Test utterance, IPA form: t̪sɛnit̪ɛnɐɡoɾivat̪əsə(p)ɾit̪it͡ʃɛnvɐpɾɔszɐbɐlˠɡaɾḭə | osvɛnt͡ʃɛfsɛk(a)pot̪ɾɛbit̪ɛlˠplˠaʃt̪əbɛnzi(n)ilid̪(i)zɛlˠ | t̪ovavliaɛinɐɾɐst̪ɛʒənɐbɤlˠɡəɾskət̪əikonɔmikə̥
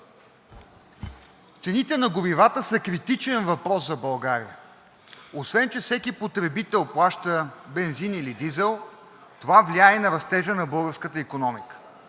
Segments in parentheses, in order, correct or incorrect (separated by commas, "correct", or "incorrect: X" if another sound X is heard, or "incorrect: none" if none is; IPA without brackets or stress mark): incorrect: k, incorrect: i, correct, correct